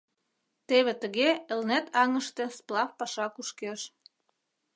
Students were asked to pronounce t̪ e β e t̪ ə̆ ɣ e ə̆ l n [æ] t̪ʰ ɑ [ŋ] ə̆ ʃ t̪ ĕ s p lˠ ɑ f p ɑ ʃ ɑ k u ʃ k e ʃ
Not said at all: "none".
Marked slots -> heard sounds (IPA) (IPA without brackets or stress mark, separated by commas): æ, ŋ